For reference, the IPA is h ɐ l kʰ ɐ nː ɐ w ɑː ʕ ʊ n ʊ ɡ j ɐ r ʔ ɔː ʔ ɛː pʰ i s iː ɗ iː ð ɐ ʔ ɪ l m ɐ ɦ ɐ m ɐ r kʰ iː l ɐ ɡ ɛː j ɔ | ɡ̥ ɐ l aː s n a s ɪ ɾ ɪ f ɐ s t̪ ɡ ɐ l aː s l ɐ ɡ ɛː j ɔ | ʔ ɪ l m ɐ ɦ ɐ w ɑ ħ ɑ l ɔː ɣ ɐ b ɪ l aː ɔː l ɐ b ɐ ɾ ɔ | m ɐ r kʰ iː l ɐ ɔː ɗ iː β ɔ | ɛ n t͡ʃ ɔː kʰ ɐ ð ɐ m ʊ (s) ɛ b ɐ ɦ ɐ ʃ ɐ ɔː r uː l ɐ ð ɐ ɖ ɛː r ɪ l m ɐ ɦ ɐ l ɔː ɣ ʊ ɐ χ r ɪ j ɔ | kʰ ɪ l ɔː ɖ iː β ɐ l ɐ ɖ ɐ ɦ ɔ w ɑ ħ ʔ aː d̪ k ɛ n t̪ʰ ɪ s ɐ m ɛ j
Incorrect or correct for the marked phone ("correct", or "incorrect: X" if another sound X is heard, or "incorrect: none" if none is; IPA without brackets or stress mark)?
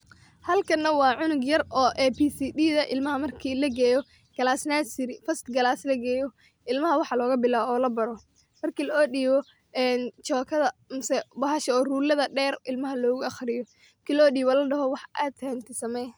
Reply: correct